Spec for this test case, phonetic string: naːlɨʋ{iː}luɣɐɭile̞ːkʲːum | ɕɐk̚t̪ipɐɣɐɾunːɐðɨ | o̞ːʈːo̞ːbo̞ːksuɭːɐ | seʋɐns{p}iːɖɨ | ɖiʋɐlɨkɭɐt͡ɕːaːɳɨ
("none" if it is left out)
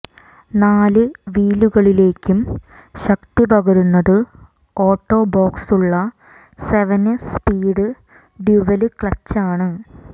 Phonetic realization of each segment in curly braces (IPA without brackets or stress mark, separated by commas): iː, p